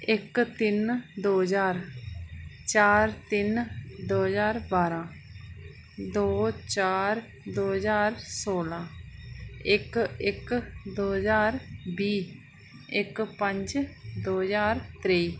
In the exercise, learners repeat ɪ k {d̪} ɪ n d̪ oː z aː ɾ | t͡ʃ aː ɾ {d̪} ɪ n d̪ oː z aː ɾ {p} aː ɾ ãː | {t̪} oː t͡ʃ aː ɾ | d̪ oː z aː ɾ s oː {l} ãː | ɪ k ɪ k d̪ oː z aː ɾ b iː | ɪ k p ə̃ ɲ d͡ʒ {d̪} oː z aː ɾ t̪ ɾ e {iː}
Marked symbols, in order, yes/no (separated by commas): no, no, no, no, yes, yes, yes